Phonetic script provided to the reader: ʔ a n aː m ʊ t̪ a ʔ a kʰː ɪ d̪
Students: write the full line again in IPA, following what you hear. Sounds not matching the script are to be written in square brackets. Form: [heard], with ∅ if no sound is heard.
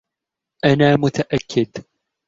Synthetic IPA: ʔ a n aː m ʊ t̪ a ʔ a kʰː ɪ d̪